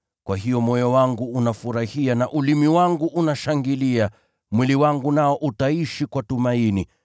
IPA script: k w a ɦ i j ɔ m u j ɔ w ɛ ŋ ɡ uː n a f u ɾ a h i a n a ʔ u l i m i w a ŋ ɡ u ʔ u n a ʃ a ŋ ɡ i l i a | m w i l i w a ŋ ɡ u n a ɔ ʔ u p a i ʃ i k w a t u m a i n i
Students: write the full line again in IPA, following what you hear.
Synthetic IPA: k w a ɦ i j ɔ m ɔ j ɔ w a ŋ ɡ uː n a f u ɾ a h i a n a ʔ u l i m i w a ŋ ɡ u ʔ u n a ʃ a ŋ ɡ i l i a | m w i l i w a ŋ ɡ u n a ɔ ʔ u t a i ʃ i k w a t u m a i n i